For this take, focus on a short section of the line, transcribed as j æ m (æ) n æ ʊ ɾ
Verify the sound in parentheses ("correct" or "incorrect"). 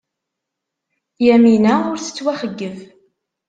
incorrect